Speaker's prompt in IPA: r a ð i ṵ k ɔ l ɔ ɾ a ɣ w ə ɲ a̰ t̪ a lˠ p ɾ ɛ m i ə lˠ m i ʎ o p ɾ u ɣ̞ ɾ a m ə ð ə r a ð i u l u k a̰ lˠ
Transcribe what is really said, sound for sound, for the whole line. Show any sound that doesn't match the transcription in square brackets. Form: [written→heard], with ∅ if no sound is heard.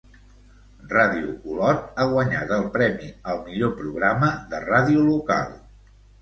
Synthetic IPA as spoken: r a ð i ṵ k [ɔ→u] l ɔ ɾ a ɣ w ə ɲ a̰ t̪ [a→ə] lˠ p ɾ ɛ m i ə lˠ m i ʎ o p ɾ u ɣ̞ ɾ a m ə ð ə r a ð i u l u k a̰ lˠ